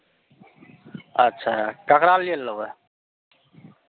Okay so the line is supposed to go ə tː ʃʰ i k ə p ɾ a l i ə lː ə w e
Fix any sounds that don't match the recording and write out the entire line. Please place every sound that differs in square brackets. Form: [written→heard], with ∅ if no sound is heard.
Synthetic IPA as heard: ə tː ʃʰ [i→a] k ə [p→k] ɾ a l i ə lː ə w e